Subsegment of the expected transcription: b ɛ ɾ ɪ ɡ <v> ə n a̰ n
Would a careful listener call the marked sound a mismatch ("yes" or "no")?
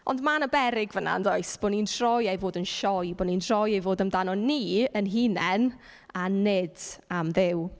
no